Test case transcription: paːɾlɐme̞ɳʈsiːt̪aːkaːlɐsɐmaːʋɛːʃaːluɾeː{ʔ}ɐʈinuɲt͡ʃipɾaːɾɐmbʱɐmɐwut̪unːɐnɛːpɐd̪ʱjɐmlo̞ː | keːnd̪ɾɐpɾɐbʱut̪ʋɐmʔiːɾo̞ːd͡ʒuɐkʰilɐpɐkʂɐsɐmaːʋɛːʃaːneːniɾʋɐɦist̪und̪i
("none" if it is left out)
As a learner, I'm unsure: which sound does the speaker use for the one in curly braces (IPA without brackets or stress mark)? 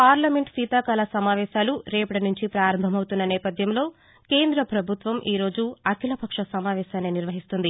p